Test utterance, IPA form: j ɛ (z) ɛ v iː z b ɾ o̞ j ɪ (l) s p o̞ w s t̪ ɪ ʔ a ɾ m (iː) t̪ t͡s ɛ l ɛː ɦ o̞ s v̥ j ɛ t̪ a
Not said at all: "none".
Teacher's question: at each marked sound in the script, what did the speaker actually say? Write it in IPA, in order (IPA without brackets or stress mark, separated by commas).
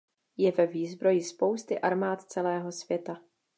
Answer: v, none, aː